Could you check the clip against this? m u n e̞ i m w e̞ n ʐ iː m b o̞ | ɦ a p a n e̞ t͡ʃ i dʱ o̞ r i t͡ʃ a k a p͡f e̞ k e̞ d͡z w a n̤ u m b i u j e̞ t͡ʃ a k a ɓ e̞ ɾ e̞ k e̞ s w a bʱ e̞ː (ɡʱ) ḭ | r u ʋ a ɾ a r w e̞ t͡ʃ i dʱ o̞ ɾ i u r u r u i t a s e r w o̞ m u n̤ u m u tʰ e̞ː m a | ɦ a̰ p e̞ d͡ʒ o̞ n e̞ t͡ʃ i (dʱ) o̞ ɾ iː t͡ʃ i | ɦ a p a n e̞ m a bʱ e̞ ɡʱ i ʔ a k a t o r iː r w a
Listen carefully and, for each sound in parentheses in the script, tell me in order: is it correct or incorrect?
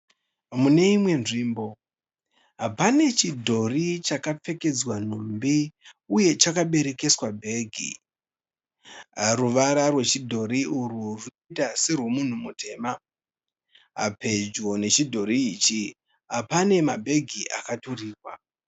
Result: correct, correct

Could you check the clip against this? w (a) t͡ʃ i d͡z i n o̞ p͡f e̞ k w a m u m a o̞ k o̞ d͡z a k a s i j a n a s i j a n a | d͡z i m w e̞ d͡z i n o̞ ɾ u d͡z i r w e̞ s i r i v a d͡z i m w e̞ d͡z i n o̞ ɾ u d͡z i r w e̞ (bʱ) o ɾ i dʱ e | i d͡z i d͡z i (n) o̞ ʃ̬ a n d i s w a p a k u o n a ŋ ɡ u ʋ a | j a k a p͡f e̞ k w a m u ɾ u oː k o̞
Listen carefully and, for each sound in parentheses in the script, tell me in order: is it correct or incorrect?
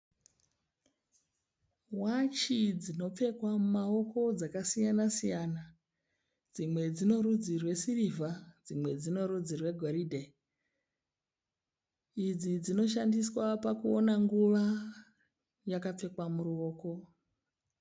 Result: correct, incorrect, correct

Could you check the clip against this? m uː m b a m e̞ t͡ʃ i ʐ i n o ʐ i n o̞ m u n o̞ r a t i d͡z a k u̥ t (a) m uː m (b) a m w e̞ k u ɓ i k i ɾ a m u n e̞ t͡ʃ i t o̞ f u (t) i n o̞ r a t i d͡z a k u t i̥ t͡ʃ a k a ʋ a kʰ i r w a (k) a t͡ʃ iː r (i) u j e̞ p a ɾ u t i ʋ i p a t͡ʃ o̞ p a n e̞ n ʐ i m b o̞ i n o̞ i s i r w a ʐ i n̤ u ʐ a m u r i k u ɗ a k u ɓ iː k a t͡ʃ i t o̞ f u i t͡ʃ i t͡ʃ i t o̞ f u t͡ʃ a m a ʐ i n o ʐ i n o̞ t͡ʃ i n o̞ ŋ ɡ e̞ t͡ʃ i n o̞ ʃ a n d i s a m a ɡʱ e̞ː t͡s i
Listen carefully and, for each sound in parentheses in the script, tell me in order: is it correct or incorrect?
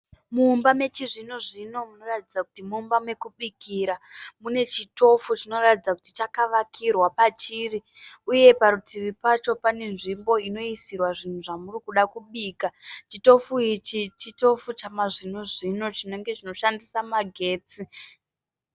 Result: incorrect, correct, incorrect, incorrect, correct

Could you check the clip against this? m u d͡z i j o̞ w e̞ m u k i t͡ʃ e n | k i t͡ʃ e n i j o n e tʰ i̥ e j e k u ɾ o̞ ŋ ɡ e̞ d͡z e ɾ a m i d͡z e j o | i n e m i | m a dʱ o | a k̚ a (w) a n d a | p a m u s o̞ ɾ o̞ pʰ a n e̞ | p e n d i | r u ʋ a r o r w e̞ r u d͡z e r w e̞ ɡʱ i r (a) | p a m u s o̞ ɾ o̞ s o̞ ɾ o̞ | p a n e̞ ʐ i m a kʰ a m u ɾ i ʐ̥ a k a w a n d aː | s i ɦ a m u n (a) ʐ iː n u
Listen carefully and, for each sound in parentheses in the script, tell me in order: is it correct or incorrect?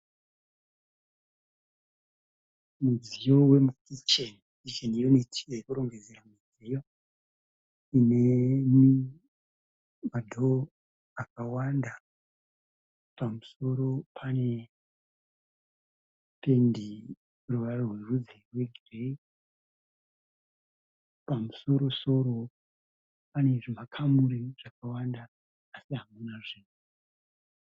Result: correct, incorrect, correct

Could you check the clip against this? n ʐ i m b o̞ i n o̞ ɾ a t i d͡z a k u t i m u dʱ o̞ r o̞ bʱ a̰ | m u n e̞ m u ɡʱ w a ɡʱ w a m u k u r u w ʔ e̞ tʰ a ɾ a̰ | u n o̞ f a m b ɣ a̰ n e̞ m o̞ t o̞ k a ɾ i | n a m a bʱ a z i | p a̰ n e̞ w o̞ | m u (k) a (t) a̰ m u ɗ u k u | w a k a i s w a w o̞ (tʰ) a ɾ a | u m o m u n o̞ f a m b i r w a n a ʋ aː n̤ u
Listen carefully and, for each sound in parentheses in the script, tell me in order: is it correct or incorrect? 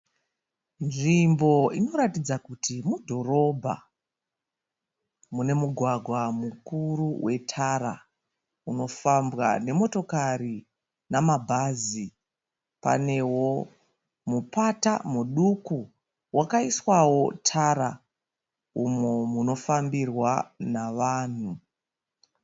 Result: incorrect, correct, correct

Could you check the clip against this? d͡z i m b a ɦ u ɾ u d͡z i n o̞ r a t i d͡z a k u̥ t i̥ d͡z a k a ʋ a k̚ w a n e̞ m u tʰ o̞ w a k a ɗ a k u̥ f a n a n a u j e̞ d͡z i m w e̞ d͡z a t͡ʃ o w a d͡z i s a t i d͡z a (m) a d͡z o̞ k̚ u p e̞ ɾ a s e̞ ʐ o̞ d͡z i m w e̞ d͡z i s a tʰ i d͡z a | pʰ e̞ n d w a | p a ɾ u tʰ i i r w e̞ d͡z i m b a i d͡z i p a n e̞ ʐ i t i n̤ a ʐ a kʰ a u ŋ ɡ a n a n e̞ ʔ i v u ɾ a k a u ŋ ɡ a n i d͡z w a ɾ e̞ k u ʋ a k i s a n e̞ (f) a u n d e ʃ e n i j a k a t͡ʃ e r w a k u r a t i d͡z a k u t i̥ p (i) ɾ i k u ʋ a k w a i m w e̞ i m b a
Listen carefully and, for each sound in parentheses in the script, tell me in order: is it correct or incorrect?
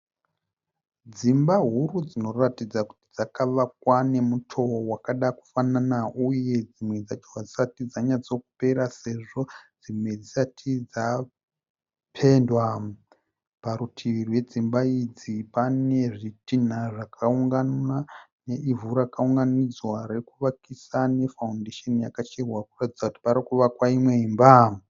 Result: incorrect, correct, incorrect

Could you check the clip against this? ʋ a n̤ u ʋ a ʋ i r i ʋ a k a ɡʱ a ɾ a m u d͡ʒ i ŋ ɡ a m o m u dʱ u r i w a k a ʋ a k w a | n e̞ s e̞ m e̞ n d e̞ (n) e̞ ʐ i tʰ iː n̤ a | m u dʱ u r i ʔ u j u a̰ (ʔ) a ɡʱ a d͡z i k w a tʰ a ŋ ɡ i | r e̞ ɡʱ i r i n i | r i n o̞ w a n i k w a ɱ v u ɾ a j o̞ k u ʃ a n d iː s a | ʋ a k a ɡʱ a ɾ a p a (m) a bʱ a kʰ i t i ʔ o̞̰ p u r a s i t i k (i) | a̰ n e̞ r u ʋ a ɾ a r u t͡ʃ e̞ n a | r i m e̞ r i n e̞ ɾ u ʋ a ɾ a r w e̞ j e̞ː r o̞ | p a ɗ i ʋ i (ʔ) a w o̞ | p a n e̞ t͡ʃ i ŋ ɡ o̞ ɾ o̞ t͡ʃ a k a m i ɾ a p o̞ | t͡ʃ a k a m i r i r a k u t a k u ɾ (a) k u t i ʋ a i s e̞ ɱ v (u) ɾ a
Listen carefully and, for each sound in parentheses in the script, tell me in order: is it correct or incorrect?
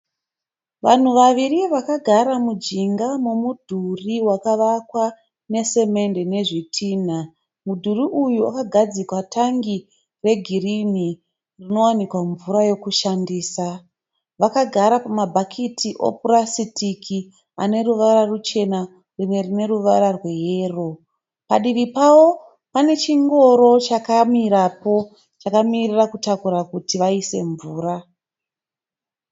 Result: correct, incorrect, correct, correct, incorrect, correct, incorrect

